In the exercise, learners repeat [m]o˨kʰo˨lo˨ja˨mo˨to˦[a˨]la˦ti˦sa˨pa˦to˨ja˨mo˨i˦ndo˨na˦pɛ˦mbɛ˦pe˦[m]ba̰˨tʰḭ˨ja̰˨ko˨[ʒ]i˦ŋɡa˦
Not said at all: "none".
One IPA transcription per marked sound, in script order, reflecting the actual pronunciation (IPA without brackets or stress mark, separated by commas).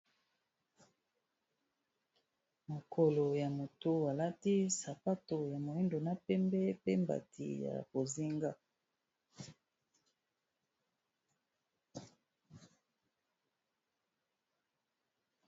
m, a˨, m, z